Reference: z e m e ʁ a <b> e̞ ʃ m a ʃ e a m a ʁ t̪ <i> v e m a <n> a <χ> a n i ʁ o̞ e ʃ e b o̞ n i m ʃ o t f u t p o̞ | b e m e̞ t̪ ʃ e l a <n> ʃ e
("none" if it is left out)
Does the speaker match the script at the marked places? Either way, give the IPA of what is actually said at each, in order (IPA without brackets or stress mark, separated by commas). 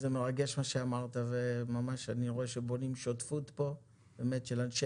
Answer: ɡ, a, m, ʃ, n